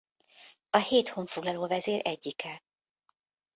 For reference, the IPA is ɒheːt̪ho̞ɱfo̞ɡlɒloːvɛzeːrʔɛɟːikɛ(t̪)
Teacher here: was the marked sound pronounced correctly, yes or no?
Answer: no